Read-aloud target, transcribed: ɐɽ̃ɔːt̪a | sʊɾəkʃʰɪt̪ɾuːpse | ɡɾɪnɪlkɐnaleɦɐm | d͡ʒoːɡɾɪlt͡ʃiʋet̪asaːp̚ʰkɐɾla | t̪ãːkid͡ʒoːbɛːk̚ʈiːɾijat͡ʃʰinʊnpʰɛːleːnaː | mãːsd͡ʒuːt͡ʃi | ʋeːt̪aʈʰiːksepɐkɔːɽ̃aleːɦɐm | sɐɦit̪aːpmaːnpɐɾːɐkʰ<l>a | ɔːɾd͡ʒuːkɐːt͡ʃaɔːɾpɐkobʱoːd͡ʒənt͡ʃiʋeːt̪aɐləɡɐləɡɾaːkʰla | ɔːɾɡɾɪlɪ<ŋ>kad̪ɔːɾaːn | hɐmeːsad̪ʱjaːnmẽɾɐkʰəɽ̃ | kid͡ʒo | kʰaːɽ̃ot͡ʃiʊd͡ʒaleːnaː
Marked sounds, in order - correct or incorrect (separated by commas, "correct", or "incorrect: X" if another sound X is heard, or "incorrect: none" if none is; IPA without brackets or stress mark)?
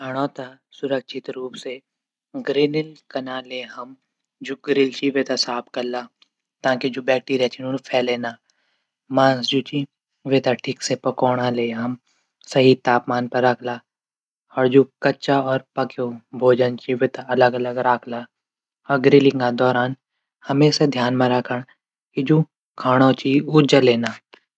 correct, correct